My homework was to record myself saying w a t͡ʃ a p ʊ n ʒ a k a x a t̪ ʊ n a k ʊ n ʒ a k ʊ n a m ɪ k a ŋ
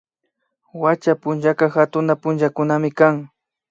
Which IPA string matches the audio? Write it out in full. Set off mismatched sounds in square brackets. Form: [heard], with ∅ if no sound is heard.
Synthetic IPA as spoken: w a t͡ʃ a p ʊ n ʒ a k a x a t̪ ʊ n a [p] ʊ n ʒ a k ʊ n a m ɪ k a ŋ